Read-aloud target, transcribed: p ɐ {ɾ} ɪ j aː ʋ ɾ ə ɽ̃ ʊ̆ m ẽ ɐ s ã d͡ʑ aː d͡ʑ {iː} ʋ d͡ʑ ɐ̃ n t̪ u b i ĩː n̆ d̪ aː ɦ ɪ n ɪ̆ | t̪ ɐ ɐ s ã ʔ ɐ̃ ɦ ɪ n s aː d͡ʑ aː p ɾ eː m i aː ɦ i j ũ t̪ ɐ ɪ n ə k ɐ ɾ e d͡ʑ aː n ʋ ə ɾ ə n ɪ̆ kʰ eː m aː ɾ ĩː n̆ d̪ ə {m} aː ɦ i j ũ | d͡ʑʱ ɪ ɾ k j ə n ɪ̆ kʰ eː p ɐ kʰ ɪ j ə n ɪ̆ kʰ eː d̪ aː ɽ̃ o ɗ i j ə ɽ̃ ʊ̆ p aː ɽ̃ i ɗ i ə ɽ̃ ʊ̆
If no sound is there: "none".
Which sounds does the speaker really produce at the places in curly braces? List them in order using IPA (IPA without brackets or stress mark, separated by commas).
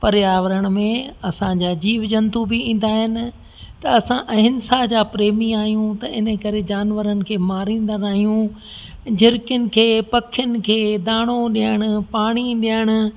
ɾ, iː, n